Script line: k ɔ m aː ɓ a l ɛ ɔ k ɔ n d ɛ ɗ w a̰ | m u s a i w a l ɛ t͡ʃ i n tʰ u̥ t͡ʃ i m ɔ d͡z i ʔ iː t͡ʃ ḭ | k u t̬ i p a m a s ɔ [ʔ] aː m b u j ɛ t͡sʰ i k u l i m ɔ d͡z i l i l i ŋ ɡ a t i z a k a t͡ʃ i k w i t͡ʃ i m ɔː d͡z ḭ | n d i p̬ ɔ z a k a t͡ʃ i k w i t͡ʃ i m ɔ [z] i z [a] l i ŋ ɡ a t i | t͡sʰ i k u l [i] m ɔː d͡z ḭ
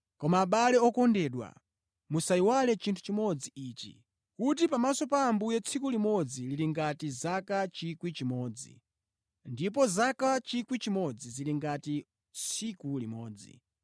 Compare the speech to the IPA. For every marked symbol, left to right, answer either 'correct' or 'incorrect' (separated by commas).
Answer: incorrect, incorrect, incorrect, correct